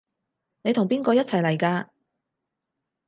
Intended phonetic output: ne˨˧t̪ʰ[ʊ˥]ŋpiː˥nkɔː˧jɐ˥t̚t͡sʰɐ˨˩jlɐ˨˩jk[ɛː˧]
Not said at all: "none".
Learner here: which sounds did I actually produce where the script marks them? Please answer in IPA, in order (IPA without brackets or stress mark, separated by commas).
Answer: ʊ˨˩, aː˧